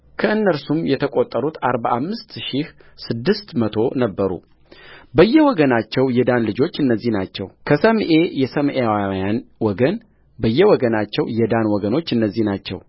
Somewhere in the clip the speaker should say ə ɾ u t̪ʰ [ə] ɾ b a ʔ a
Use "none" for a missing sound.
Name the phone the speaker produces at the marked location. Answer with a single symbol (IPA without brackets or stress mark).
a